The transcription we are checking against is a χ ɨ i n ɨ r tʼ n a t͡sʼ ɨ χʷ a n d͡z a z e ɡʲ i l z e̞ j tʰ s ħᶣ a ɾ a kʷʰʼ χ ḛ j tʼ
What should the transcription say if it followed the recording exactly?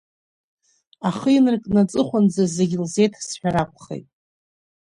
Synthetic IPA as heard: a χ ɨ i n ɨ r kʼ n a t͡sʼ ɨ χʷ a n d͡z a z e ɡʲ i l z e̞ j tʰ s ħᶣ a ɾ a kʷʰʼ χ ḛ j tʼ